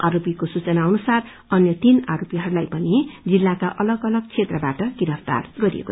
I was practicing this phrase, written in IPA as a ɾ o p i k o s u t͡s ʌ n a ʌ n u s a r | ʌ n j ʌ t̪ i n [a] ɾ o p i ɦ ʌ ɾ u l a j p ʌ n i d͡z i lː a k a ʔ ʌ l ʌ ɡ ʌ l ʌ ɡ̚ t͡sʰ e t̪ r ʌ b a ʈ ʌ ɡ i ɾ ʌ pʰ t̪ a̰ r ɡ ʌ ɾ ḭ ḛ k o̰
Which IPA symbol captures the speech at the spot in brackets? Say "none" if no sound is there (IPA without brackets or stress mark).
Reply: a